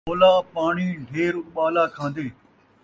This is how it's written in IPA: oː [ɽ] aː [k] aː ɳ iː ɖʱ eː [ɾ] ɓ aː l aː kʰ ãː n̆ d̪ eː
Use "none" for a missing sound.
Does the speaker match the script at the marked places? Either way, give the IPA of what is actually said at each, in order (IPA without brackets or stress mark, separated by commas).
l, p, ɾ